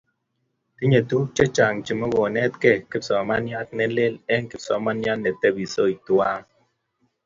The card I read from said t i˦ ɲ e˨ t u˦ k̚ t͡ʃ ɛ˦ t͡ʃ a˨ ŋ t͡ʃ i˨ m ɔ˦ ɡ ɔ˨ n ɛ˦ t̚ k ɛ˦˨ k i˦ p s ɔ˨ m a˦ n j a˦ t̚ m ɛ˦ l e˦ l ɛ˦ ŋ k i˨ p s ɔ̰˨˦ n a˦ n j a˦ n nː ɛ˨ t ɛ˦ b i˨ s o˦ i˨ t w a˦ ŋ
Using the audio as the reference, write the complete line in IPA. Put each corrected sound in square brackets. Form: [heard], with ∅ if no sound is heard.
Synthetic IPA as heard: t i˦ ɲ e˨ t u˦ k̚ t͡ʃ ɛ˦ t͡ʃ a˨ ŋ t͡ʃ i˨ m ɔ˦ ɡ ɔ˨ n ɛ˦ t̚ k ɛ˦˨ k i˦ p s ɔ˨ m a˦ n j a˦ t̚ [n] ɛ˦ l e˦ l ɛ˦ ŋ k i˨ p s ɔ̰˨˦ [m] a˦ n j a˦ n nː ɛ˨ t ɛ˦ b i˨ s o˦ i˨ t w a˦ ŋ

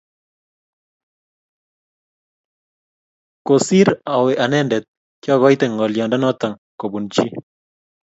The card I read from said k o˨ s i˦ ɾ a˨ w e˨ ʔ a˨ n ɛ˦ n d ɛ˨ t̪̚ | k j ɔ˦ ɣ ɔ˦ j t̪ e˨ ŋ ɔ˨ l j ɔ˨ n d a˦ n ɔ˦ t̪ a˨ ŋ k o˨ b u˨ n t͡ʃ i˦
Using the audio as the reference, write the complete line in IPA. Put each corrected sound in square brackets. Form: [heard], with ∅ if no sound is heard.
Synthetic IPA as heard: k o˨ s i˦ ɾ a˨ w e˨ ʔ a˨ n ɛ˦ n d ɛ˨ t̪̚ | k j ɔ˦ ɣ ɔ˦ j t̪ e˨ ŋ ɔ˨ l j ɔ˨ n d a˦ n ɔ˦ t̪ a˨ ŋ k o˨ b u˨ n t͡ʃ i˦

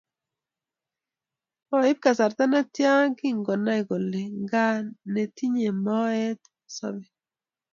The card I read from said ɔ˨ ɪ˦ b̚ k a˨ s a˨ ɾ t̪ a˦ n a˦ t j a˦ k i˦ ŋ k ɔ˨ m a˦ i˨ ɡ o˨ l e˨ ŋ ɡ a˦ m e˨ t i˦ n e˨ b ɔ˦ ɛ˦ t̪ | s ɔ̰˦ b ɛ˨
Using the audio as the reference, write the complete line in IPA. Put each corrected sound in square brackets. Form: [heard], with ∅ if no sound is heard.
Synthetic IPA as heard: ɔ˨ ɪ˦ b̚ k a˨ s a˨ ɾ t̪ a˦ n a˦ t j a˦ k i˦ ŋ [ɡ] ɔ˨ [n] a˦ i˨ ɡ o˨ l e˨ ŋ ɡ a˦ [n] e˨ t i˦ [ɲ] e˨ [m] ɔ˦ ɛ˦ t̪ | s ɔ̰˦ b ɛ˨

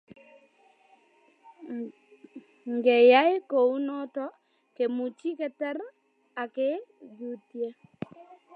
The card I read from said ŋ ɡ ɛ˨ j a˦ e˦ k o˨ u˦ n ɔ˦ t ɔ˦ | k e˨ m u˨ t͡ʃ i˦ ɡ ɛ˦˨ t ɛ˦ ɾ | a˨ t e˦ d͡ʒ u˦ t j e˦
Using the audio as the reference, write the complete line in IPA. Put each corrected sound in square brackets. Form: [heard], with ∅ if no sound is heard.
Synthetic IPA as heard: ŋ ɡ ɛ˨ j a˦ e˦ k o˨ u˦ n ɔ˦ t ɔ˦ | k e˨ m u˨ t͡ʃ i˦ [k] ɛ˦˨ t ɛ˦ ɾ | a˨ [k] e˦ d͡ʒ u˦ t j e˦

